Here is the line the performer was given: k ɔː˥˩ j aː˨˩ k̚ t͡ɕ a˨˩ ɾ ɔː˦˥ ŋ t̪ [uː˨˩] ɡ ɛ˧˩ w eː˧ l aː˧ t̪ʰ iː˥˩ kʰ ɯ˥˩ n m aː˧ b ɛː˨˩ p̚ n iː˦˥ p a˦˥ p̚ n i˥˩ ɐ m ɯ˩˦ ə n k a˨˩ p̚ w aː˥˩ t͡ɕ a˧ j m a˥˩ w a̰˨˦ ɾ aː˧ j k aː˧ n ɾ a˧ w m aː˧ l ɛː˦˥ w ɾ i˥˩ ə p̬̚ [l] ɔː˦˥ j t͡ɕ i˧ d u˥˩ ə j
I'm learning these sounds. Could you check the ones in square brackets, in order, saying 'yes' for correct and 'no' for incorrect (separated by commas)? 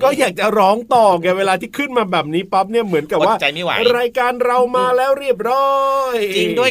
no, no